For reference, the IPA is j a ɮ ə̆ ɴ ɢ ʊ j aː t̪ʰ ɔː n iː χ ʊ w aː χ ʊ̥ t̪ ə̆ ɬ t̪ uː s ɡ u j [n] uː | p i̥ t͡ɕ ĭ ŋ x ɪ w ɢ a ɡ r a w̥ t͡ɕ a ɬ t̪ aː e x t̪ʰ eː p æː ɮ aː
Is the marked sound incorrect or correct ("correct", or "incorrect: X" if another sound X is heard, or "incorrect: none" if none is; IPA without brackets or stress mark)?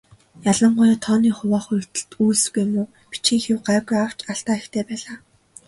incorrect: m